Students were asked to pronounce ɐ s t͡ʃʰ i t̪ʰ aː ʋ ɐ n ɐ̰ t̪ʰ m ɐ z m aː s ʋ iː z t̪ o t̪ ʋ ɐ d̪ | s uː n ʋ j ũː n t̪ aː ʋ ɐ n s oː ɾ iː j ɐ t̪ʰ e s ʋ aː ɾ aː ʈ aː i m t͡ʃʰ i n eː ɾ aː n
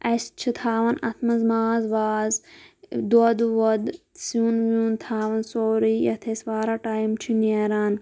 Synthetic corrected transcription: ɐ s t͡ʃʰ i t̪ʰ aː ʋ ɐ n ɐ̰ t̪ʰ m ɐ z m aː z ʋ aː z d̪ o d̪ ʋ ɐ d̪ | s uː n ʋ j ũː n t̪ʰ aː ʋ ɐ n s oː ɾ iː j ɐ t̪ʰ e s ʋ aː ɾ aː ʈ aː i m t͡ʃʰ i n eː ɾ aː n